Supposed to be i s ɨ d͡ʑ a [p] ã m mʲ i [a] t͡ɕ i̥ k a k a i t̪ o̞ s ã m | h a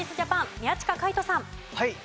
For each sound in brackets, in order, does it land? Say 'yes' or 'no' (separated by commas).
yes, yes